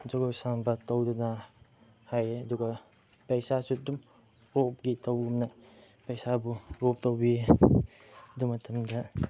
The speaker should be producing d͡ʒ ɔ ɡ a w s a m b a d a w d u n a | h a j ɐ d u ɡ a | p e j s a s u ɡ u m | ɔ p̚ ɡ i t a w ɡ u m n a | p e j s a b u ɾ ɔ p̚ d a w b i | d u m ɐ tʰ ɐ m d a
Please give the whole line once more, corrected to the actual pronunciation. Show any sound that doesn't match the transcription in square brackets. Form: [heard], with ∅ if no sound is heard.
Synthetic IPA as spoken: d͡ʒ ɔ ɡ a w s a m b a [t] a w d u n a | h a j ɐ d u ɡ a | p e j s a s u [d] u m | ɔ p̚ ɡ i t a w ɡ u m n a | p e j s a b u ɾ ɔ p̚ [t] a w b i | d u m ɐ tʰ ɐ m d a